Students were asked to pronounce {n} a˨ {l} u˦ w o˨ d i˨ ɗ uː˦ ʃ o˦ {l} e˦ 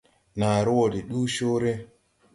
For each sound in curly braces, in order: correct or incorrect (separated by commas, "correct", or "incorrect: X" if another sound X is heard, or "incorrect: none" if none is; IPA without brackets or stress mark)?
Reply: correct, incorrect: ɾ, incorrect: ɾ